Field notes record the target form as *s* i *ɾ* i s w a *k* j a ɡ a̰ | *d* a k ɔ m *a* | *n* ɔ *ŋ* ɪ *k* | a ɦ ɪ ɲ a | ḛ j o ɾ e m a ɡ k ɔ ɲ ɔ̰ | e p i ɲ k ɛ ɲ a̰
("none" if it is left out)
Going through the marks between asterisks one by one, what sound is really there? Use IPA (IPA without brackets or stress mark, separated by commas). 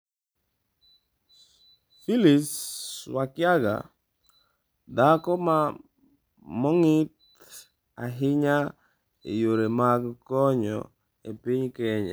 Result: f, l, k, d, a, m, ŋ, t